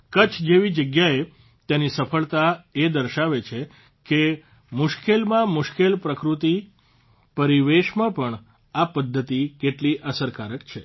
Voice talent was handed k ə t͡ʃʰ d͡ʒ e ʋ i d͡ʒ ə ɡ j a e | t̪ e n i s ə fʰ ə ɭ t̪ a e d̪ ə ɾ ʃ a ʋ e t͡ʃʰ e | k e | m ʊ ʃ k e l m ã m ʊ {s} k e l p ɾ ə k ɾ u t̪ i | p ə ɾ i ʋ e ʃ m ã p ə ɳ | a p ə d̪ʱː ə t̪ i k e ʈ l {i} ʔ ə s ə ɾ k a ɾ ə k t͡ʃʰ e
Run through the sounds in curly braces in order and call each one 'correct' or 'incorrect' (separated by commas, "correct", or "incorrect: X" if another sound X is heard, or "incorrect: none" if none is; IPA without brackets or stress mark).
incorrect: ʃ, correct